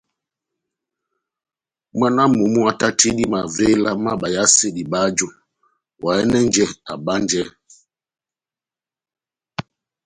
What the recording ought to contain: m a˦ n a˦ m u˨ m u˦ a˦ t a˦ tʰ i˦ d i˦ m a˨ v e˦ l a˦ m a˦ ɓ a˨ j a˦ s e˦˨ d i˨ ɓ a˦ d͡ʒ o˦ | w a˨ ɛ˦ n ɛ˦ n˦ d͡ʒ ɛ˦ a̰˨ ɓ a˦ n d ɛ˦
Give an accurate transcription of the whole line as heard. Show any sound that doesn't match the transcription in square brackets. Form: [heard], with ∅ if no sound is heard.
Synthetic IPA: m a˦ n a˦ m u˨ m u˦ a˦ t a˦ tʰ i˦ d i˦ m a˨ v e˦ l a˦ m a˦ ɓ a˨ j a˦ s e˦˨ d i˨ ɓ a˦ d͡ʒ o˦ | w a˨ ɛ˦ n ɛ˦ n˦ d͡ʒ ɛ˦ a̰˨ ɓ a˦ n [d͡ʒ] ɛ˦